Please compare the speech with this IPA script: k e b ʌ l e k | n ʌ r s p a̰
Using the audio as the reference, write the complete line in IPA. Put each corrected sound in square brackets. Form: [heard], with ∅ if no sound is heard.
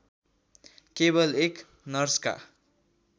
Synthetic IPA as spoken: k e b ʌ l e k | n ʌ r s [k] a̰